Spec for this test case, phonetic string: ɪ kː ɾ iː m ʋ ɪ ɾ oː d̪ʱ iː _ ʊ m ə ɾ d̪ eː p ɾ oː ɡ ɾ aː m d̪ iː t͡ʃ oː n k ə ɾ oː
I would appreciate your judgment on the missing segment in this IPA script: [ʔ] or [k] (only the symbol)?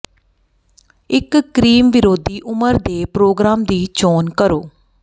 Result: ʔ